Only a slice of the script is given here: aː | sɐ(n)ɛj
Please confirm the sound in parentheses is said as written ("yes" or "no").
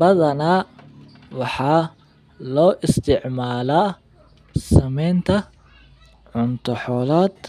no